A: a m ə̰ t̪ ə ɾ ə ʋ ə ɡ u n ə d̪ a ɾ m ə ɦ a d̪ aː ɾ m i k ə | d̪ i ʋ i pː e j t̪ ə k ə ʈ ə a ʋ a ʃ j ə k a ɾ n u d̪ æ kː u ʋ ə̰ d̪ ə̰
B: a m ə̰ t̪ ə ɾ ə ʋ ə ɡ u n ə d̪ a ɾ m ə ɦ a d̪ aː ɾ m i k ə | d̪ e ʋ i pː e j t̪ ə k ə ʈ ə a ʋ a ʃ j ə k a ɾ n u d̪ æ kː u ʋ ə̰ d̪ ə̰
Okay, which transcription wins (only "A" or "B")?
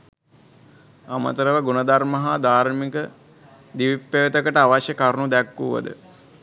A